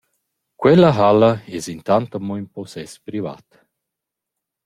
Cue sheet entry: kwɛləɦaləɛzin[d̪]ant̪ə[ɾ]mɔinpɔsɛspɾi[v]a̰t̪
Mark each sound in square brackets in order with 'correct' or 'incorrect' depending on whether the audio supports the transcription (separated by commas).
incorrect, incorrect, correct